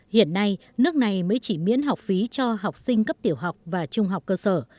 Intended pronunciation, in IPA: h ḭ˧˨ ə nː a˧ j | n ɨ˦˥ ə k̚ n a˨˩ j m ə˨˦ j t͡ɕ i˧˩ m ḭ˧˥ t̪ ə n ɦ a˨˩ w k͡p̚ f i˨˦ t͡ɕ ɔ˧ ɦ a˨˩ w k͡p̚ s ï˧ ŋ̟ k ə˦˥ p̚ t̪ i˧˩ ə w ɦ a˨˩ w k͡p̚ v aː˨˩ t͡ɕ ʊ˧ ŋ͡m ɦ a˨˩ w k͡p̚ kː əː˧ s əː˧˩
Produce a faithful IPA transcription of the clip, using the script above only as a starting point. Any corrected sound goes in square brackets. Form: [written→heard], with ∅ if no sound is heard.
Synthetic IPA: h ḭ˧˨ ə nː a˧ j | n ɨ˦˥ ə k̚ n a˨˩ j m [ə˨˦→əː˨˦] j t͡ɕ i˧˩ m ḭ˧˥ [t̪→∅] ə n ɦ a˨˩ w k͡p̚ f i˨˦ t͡ɕ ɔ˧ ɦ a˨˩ w k͡p̚ s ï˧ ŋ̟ k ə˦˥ p̚ t̪ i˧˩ ə w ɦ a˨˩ w k͡p̚ v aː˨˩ t͡ɕ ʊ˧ ŋ͡m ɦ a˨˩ w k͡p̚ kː əː˧ s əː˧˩

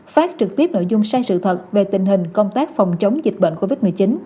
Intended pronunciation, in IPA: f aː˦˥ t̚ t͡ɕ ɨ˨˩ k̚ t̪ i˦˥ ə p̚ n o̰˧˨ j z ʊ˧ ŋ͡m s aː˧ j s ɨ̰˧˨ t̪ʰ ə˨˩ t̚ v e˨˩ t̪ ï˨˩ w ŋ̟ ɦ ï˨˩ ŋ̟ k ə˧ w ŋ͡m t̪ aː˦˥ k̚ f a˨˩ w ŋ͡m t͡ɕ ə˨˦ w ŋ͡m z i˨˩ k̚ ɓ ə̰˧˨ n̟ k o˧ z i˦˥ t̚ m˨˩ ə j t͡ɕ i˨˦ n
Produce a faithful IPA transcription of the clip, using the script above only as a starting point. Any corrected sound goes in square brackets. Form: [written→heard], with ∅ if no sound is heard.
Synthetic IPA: f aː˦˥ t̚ t͡ɕ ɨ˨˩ k̚ t̪ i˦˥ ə p̚ n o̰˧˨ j z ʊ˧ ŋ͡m s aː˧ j s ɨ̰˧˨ t̪ʰ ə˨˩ t̚ v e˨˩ t̪ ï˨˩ [w→∅] ŋ̟ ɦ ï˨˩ ŋ̟ k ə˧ w ŋ͡m t̪ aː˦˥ k̚ f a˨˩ w ŋ͡m t͡ɕ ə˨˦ w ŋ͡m z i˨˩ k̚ ɓ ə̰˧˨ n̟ k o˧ [z→v] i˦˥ t̚ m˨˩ ə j t͡ɕ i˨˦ n

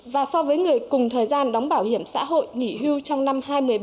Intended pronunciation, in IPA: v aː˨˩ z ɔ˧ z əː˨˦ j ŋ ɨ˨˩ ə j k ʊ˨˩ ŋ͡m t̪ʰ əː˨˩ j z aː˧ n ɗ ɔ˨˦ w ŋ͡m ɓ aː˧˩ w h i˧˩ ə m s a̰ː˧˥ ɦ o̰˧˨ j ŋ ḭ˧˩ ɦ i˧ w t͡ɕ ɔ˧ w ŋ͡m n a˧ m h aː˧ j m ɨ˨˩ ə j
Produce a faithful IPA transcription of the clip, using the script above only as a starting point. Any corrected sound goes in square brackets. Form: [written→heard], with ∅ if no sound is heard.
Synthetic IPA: v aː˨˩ [z→s] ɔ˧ [z→v] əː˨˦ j ŋ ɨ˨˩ ə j k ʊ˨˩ ŋ͡m t̪ʰ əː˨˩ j z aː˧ n ɗ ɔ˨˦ w ŋ͡m ɓ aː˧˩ w h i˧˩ ə m s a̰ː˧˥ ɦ o̰˧˨ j ŋ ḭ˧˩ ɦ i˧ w t͡ɕ ɔ˧ w ŋ͡m n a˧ m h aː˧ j m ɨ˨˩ ə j

